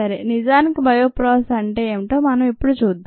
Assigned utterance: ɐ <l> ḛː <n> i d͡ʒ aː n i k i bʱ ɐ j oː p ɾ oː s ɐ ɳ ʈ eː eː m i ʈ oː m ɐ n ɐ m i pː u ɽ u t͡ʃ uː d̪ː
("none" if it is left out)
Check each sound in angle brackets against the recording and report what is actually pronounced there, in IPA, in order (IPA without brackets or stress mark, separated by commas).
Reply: ɾ, n